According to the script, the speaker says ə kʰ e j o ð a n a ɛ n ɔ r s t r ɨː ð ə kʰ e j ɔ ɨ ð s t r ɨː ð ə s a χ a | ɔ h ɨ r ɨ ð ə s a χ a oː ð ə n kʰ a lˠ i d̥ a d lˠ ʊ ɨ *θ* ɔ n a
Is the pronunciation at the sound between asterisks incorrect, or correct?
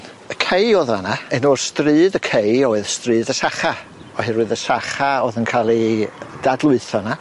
correct